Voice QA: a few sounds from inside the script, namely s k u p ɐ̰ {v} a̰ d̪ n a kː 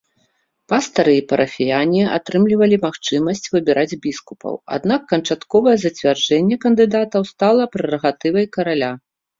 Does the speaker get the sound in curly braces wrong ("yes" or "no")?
yes